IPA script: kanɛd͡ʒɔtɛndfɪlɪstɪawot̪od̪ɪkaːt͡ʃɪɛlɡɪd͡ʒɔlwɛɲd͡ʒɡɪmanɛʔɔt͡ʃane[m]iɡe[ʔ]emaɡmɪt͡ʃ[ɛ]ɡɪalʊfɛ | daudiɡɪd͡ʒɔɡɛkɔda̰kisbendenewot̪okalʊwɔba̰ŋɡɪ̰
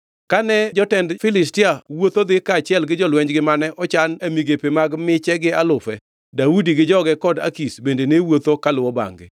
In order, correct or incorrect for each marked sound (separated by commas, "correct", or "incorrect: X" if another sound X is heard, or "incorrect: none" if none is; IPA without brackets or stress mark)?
correct, incorrect: p, correct